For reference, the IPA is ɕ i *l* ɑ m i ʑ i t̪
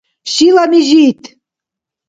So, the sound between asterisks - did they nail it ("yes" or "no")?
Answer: yes